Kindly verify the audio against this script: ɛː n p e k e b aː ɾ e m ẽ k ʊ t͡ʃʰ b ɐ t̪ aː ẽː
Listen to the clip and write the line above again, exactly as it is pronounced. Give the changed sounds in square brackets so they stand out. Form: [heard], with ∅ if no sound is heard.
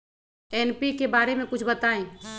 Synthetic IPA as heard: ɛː n p [i] k e b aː ɾ e m ẽ k ʊ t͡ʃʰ b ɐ t̪ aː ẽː